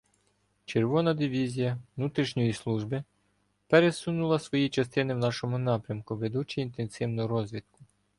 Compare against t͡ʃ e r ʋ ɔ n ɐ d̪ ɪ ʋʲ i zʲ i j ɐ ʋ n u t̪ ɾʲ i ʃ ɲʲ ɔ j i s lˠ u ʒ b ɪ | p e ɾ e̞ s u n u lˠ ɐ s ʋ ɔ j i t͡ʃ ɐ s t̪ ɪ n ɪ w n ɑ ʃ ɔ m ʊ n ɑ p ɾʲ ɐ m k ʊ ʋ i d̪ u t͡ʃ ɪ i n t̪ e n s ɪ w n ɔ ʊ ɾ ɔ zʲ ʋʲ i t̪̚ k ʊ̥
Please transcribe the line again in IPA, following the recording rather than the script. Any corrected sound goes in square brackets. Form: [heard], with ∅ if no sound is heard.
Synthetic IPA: t͡ʃ e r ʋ ɔ n ɐ d̪ ɪ ʋʲ i zʲ i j ɐ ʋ n u t̪ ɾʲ i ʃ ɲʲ ɔ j i s lˠ u ʒ b ɪ | p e ɾ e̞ s u n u lˠ ɐ s ʋ ɔ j i t͡ʃ ɐ s t̪ ɪ n ɪ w n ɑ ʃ ɔ m ʊ n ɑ p ɾʲ ɐ m k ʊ ʋ [e] d̪ u t͡ʃ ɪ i n t̪ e n s ɪ w n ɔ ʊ ɾ ɔ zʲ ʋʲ i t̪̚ k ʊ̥